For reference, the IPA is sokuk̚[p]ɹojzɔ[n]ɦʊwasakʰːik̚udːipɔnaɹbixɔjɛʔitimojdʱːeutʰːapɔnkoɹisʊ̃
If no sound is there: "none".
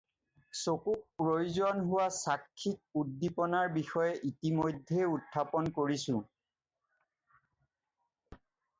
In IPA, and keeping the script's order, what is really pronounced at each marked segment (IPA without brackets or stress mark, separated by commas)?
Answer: p, n